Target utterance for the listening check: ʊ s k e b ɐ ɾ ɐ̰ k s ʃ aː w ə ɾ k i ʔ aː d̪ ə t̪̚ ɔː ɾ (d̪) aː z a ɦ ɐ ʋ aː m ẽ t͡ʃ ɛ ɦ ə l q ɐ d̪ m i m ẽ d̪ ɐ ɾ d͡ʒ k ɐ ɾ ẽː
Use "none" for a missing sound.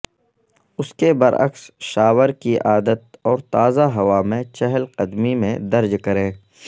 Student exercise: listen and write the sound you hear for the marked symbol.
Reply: t̪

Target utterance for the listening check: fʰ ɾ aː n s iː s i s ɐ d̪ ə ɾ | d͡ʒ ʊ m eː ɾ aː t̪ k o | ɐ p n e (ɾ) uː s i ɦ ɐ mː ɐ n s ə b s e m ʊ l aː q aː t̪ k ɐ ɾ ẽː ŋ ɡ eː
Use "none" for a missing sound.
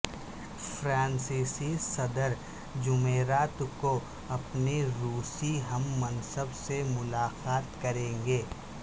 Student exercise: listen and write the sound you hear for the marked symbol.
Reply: ɾ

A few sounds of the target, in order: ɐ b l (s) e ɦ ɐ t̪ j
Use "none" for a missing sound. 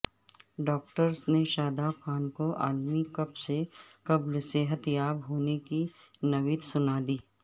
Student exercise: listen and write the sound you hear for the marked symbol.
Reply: s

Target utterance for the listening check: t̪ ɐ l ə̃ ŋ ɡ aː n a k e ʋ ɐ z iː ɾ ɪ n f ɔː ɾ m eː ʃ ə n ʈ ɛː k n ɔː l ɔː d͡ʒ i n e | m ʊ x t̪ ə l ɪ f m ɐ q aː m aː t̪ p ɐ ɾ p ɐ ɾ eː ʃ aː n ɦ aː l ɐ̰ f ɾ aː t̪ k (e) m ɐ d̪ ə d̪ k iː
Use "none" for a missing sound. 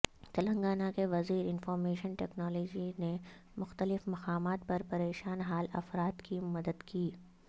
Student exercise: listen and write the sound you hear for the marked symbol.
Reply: i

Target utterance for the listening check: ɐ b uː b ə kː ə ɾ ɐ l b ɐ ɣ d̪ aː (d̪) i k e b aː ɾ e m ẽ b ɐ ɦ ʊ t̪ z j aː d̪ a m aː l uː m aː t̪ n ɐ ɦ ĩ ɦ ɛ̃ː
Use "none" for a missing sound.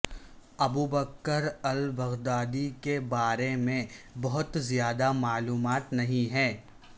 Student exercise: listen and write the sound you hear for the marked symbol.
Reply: d̪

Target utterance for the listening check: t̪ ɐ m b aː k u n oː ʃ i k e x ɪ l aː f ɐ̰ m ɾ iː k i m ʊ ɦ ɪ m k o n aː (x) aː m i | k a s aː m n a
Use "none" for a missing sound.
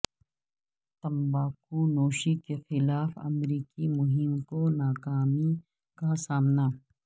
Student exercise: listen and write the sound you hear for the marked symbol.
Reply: k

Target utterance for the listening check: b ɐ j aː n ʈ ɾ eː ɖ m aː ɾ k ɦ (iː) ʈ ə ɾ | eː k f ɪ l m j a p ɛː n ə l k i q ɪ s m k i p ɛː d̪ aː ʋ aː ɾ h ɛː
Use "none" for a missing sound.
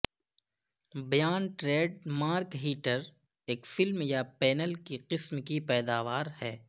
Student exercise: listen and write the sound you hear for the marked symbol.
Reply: iː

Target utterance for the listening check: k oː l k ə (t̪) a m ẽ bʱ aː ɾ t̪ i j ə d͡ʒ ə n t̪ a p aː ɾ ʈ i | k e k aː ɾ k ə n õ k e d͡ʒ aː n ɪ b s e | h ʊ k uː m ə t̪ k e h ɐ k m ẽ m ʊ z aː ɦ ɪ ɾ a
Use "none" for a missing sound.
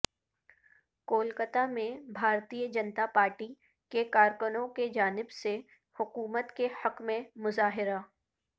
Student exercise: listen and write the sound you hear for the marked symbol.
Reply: t̪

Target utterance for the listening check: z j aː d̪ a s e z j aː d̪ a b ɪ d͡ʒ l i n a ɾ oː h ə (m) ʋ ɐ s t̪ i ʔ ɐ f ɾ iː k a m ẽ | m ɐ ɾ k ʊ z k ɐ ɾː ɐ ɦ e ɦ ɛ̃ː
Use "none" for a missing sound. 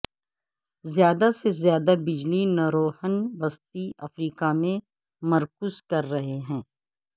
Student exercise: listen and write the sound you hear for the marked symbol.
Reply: n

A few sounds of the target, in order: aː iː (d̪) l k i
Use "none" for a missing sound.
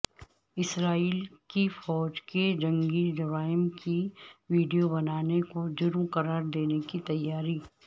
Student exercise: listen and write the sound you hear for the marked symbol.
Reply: none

